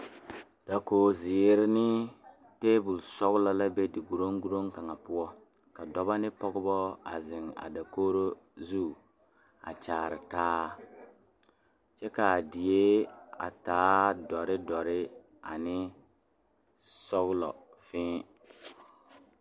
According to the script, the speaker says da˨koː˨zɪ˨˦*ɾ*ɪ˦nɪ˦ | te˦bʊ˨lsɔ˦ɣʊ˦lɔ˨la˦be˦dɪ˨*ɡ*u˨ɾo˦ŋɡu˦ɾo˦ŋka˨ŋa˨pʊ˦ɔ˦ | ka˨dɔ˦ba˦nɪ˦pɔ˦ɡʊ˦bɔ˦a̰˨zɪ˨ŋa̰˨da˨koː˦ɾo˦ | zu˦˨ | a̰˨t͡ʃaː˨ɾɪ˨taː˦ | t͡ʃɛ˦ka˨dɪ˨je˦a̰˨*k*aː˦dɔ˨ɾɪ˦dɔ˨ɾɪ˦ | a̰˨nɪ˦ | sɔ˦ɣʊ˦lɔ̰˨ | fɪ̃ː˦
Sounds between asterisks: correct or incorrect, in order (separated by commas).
correct, correct, incorrect